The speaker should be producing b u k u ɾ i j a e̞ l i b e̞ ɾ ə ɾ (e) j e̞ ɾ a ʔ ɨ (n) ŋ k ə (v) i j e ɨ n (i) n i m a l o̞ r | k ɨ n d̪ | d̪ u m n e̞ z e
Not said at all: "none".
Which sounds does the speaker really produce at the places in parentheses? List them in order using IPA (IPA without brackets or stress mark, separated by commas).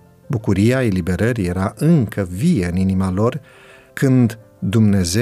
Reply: i, none, v, i